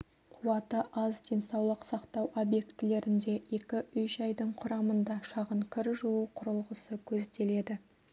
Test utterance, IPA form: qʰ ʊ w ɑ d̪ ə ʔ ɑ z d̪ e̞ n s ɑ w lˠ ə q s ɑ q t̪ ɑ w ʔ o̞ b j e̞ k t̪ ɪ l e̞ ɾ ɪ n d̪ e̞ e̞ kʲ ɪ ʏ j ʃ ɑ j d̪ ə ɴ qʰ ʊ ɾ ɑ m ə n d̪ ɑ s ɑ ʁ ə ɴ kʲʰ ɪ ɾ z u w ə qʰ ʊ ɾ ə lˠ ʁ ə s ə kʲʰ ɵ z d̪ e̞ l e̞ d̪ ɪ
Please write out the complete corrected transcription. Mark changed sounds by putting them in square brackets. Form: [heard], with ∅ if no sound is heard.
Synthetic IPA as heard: qʰ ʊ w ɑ [t̪] ə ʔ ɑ z d̪ e̞ n s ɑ w lˠ ə q s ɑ q t̪ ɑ w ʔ o̞ b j e̞ k t̪ ɪ l e̞ ɾ ɪ n d̪ e̞ e̞ kʲ ɪ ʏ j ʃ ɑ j d̪ ə ɴ qʰ ʊ ɾ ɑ m ə n d̪ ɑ [ʃ] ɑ ʁ ə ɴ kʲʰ ɪ ɾ [ʒ] u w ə qʰ ʊ ɾ ə lˠ ʁ ə s ə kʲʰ ɵ z d̪ e̞ l e̞ d̪ ɪ